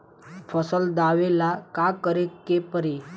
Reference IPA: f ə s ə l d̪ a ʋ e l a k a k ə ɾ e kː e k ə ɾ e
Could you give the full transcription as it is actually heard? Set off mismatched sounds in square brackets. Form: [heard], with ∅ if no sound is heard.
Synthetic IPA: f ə s ə l d̪ a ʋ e l a k a k ə ɾ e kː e [p] ə ɾ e